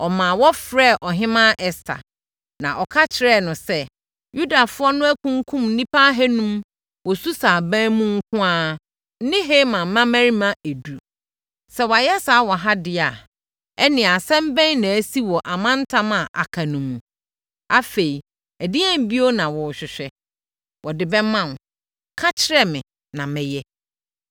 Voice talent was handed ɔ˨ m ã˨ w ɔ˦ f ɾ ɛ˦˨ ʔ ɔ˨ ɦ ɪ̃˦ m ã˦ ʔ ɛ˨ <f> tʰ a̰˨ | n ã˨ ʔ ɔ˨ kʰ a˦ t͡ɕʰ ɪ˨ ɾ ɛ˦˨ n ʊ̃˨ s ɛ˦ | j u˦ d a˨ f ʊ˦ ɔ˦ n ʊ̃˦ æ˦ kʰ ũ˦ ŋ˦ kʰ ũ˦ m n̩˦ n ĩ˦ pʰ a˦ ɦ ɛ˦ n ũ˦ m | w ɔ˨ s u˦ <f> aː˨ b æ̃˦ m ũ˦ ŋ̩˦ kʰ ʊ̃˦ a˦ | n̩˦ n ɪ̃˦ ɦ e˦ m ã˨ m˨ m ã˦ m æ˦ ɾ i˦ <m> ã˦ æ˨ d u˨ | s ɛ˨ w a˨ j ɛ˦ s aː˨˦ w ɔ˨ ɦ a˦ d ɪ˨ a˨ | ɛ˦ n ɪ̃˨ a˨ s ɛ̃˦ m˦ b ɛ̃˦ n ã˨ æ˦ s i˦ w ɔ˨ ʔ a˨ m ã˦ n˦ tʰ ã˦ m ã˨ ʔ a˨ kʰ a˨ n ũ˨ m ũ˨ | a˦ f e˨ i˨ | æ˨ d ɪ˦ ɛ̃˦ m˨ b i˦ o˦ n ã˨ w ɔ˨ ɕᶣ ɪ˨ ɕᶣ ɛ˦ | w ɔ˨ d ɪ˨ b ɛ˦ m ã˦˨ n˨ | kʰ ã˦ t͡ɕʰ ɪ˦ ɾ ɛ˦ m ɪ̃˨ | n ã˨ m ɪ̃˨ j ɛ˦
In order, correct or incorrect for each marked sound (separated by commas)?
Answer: incorrect, incorrect, correct